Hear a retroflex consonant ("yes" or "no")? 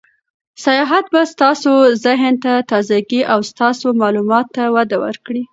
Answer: yes